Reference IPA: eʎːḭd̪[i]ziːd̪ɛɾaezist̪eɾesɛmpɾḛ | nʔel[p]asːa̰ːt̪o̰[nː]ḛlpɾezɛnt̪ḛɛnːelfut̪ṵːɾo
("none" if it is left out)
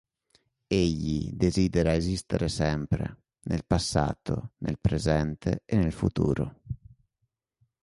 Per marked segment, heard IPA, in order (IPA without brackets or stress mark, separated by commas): e, p, n